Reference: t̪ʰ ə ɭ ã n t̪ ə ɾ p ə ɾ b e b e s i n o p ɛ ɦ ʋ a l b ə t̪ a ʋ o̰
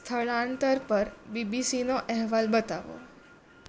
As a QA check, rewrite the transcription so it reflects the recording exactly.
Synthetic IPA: t̪ʰ ə ɭ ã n t̪ ə ɾ p ə ɾ b i b i s i n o ʔ ɛ ɦ ʋ a l b ə t̪ a ʋ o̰